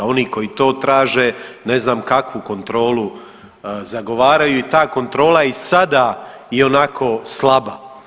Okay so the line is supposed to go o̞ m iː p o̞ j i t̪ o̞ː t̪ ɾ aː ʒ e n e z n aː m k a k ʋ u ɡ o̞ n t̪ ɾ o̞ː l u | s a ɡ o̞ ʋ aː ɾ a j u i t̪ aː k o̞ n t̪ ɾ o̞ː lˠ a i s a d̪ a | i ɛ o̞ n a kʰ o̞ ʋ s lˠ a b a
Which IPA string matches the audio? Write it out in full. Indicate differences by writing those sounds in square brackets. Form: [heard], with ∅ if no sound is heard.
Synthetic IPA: o̞ [n] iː [k] o̞ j i t̪ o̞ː t̪ ɾ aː ʒ e n e z n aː m k a k ʋ u [k] o̞ n t̪ ɾ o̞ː l u | [z] a ɡ o̞ ʋ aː ɾ a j u i t̪ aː k o̞ n t̪ ɾ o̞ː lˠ a i s a d̪ a | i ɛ o̞ n a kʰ o̞ [∅] s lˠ a b a